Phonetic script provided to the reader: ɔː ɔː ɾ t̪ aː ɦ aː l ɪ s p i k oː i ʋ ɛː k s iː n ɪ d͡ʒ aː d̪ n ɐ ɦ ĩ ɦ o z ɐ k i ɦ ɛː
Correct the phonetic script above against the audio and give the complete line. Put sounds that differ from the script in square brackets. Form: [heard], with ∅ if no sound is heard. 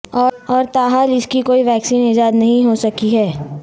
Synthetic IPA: ɔː ɔː ɾ t̪ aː ɦ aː l ɪ s [k] i k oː i ʋ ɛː k s iː n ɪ d͡ʒ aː d̪ n ɐ ɦ ĩ ɦ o [s] ɐ k i ɦ ɛː